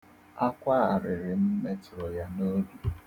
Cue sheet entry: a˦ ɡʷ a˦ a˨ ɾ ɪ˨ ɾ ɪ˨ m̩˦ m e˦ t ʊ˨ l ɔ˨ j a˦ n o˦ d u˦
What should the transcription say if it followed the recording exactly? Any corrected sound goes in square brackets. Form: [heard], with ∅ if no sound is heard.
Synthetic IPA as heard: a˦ [kʷ] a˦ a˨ ɾ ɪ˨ ɾ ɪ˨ m̩˦ m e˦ t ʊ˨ [ɾ] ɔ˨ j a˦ n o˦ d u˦